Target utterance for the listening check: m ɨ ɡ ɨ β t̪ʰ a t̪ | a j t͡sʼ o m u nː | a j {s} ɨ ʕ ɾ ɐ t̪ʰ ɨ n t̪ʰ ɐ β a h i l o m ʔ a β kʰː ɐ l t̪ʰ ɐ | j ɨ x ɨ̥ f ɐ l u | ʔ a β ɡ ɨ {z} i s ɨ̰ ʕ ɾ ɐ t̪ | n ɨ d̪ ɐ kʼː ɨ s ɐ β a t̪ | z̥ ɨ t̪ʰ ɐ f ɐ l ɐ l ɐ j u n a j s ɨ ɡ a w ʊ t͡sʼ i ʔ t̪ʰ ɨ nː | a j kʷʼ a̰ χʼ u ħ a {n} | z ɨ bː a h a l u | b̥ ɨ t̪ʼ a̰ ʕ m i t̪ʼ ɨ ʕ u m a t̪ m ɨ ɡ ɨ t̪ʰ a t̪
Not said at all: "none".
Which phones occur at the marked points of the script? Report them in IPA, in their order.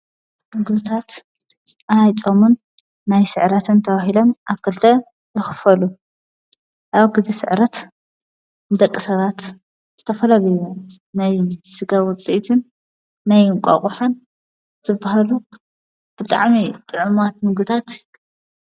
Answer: s, z, n

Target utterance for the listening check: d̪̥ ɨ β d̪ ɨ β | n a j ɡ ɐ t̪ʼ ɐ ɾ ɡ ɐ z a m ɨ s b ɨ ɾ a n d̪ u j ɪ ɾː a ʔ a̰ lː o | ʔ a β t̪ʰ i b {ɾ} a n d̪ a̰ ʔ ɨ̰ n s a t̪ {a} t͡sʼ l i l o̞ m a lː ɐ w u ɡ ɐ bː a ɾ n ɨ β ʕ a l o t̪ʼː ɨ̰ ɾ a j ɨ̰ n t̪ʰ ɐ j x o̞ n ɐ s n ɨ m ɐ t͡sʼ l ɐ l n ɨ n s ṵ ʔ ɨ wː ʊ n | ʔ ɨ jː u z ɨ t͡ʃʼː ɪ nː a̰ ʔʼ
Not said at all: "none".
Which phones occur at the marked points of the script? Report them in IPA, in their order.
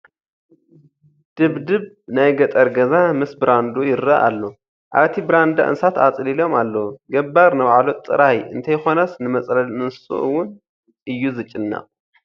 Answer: ɾ, a

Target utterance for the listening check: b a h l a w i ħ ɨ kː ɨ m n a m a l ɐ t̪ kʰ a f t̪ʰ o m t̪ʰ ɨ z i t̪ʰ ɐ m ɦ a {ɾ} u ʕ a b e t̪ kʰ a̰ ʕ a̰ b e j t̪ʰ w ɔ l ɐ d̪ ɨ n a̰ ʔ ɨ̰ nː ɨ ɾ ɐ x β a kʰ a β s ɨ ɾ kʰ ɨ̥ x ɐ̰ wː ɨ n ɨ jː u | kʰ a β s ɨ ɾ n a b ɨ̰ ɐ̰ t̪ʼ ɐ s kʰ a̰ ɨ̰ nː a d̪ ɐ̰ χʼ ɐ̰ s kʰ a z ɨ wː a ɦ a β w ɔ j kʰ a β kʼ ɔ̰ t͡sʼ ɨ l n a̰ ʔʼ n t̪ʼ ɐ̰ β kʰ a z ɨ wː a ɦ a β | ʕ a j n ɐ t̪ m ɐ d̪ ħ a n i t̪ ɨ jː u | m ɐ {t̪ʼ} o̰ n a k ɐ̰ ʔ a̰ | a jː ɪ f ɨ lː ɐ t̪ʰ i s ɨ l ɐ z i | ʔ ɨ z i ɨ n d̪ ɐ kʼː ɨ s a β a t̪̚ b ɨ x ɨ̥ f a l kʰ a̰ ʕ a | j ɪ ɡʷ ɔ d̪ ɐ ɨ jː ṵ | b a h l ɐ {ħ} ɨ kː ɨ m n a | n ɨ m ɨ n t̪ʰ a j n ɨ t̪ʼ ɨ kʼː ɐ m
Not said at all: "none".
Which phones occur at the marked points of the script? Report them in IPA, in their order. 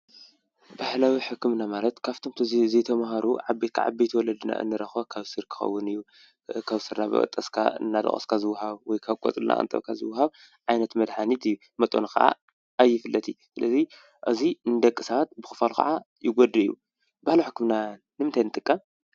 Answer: ɾ, t̪ʼ, ħ

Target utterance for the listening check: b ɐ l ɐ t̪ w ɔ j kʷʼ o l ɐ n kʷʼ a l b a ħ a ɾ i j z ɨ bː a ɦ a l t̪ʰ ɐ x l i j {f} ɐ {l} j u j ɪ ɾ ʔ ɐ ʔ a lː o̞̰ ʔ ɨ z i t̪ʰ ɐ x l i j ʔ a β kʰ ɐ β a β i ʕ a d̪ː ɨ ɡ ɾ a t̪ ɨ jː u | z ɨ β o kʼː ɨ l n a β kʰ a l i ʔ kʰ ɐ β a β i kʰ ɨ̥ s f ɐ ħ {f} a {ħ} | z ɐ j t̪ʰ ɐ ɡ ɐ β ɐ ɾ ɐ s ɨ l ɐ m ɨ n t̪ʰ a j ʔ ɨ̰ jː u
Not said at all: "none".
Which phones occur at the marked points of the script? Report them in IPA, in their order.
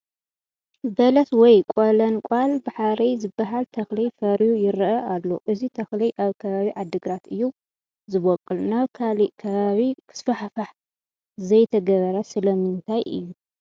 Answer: f, ɾ, f, ħ

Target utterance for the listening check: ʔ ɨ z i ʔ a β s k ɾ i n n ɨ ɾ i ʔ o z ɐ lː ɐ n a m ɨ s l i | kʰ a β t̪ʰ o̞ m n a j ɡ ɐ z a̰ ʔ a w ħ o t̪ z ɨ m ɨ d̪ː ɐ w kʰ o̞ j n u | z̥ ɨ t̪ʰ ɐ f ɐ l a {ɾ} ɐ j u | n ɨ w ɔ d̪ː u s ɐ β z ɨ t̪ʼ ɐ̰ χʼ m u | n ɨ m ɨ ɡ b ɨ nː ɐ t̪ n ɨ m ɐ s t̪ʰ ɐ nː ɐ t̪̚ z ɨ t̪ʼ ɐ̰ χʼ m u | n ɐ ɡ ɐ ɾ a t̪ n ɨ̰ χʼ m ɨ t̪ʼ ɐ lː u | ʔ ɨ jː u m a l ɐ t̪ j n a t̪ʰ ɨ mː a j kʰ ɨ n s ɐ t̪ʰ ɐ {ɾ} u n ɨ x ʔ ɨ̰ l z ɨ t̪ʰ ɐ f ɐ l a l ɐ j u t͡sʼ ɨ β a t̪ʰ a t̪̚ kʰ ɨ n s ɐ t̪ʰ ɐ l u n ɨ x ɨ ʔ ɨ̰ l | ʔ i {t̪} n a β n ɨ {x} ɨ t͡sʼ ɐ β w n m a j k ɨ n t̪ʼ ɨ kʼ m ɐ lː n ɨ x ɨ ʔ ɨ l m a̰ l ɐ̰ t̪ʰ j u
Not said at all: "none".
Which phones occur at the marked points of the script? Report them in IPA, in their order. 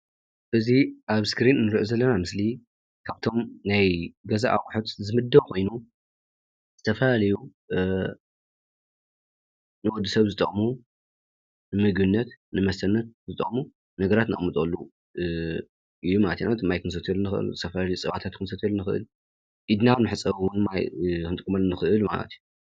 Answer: l, l, d̪, ħ

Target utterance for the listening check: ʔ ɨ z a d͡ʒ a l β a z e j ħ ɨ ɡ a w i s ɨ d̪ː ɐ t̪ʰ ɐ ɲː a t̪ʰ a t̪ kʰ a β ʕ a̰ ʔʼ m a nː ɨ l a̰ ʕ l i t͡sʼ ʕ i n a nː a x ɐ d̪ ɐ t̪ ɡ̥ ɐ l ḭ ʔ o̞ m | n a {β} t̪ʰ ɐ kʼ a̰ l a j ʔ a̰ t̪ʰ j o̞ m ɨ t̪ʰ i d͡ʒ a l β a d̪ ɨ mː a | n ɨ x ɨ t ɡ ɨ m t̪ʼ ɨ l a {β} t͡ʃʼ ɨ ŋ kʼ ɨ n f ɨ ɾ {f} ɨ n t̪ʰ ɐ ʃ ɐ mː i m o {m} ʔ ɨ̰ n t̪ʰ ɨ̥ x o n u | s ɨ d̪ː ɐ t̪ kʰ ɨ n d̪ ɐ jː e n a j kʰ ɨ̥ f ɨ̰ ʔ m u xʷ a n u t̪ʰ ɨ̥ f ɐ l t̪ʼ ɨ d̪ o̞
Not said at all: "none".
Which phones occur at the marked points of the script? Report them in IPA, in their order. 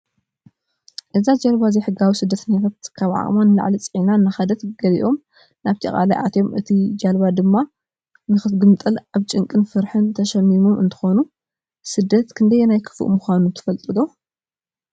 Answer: β, β, ħ, m

